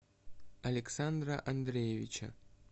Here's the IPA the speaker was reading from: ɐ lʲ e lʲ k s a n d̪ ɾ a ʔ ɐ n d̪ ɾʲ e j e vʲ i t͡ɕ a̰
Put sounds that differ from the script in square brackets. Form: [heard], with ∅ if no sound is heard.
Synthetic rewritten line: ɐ lʲ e [∅] k s a n d̪ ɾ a ʔ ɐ n d̪ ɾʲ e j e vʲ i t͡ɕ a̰